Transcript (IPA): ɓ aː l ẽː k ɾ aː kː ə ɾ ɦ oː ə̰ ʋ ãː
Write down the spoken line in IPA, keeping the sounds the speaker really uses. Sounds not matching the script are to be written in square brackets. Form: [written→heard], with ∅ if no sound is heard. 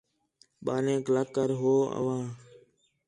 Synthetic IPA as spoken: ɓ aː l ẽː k [ɾ→l] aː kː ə ɾ ɦ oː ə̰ ʋ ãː